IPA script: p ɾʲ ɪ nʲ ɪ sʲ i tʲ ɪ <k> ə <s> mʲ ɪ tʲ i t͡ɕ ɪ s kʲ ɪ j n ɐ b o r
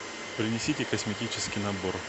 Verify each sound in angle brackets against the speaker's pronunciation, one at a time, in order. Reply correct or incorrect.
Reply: correct, correct

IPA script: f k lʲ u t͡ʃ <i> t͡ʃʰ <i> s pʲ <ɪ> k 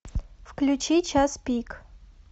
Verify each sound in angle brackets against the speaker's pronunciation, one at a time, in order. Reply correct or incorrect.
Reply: correct, incorrect: a, incorrect: i

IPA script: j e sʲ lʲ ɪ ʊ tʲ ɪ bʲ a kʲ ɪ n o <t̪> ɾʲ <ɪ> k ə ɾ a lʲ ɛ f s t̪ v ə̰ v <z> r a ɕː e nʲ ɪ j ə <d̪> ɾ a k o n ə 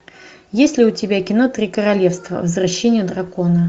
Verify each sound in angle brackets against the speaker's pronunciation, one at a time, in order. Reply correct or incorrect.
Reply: correct, incorrect: i, correct, correct

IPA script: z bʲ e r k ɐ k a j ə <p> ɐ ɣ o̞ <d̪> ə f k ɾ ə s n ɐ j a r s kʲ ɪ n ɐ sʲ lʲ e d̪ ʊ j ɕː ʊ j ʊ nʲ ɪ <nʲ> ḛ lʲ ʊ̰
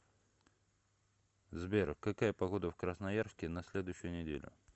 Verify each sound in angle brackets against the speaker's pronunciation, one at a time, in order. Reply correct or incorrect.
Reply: correct, correct, incorrect: dʲ

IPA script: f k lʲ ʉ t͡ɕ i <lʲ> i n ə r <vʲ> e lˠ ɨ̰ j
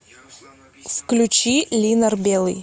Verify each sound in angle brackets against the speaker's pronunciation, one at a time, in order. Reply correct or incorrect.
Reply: correct, incorrect: bʲ

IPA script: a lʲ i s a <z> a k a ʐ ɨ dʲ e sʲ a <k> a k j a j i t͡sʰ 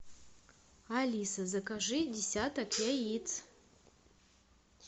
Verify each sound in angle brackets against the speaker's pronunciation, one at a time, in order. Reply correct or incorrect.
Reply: correct, incorrect: t

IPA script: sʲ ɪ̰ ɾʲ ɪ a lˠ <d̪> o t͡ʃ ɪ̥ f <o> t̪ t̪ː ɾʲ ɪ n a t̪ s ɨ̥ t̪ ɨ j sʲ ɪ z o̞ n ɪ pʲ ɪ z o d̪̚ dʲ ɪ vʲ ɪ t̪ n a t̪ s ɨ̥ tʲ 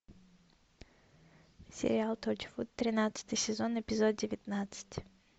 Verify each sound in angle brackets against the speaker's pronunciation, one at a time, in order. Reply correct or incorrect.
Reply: incorrect: t̪, incorrect: u

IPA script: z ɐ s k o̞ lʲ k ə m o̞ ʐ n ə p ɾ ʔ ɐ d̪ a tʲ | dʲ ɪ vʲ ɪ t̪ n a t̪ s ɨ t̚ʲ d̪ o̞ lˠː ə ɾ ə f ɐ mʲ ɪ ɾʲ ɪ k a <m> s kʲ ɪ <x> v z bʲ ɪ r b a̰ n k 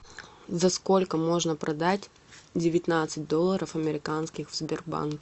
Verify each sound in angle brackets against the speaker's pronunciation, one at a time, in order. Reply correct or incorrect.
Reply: incorrect: n, correct

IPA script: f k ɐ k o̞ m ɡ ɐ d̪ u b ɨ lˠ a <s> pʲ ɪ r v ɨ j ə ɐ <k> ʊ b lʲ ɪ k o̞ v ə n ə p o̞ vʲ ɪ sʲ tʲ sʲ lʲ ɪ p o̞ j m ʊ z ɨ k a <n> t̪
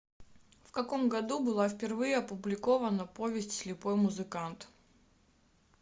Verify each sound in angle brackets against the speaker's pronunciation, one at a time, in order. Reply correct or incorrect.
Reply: incorrect: f, incorrect: p, correct

